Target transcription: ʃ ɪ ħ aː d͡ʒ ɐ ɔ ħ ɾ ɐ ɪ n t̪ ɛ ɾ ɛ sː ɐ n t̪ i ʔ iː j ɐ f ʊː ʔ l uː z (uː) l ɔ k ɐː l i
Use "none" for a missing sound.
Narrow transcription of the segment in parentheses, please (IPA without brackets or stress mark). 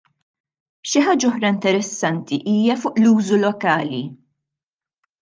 u